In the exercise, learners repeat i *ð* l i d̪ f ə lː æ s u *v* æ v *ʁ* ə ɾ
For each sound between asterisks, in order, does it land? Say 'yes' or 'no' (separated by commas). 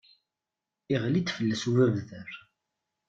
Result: no, yes, no